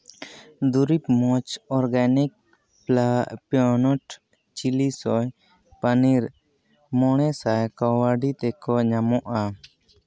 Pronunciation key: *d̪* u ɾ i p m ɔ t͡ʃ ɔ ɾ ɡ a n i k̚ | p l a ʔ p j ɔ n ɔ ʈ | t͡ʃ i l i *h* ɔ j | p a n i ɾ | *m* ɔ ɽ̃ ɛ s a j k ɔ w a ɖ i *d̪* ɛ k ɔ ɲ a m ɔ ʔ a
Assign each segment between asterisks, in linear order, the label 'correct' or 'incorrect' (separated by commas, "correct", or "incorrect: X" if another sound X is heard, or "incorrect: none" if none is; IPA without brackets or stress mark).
correct, incorrect: s, correct, incorrect: t̪